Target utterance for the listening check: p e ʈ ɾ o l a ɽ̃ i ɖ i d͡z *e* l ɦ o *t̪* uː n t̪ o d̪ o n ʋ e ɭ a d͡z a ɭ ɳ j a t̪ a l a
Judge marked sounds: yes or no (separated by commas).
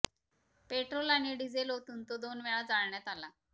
yes, yes